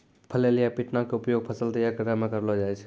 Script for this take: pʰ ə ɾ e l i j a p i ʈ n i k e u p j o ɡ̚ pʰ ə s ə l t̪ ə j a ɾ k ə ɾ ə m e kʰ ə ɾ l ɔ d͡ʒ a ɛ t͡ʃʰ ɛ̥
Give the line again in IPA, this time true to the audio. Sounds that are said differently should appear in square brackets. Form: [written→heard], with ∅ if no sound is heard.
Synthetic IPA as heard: pʰ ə [ɾ→l] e l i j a p i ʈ n [i→a] k e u p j o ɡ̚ pʰ ə s ə l t̪ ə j a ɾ k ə ɾ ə m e [kʰ→k] ə ɾ l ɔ d͡ʒ a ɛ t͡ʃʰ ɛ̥